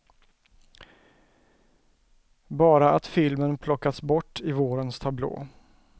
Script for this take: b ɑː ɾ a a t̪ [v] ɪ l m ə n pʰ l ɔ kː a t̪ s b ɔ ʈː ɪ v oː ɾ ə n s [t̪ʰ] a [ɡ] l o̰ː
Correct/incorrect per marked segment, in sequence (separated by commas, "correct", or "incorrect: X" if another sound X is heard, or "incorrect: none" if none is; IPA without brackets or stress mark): incorrect: f, correct, incorrect: b